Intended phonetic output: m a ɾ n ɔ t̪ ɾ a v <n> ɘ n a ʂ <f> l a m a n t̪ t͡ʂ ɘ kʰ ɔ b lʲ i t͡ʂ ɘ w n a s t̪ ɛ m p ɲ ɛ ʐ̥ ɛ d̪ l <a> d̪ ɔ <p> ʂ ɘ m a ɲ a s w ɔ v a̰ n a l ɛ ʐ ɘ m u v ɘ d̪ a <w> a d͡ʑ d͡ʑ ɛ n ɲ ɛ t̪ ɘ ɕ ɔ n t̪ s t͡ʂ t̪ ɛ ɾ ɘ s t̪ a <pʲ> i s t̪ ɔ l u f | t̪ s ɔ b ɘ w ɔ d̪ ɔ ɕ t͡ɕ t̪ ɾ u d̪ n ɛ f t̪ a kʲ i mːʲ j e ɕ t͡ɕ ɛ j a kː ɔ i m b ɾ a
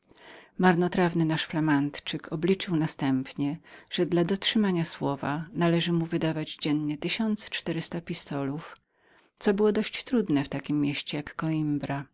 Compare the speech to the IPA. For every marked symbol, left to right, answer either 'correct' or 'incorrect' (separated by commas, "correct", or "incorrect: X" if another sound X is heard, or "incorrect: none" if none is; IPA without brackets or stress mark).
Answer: correct, correct, correct, incorrect: t, incorrect: v, correct